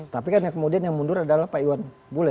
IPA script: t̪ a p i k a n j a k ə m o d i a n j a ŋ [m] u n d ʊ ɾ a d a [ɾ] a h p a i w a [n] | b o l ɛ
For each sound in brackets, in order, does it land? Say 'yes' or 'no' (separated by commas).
yes, no, yes